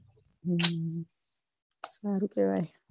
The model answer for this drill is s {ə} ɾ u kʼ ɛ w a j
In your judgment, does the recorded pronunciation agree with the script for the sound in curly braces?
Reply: no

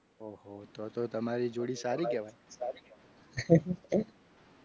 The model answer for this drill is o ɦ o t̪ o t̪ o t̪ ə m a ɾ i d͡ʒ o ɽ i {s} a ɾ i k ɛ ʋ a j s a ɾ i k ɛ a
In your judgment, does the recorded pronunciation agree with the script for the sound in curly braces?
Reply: yes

